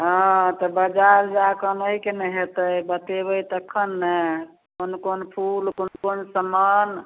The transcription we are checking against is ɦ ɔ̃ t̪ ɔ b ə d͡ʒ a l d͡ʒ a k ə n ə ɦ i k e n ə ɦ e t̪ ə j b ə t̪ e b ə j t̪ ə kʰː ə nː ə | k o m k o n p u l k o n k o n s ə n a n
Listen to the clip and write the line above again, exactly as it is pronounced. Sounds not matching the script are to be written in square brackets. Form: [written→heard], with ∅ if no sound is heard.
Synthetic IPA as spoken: ɦ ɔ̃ t̪ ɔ b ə d͡ʒ a [l→ɾ] d͡ʒ a k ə n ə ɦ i k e n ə ɦ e t̪ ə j b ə t̪ e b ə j t̪ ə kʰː ə nː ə | k o [m→n] k o n [p→pʰ] u l k o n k o n s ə [n→m] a n